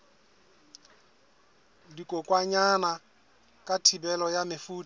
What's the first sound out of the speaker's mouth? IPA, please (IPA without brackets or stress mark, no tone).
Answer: d